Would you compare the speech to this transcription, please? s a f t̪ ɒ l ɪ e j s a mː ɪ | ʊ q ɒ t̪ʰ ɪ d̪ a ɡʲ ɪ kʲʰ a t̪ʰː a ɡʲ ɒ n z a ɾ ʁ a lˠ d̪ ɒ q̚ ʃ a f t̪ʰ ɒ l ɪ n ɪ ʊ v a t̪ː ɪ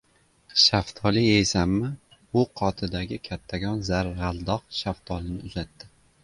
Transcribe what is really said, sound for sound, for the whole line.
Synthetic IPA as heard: ʃ a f t̪ʰ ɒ l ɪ e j s a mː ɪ | ʊ qʰ ɒ t̪ʰ ɪ d̪ a ɡʲ ɪ kʲʰ a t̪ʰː a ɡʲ ɒ n z a ɾ ʁ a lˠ d̪ ɒ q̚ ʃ a f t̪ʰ ɒ l ɪ n ɪ ʊ z a t̪ː ɪ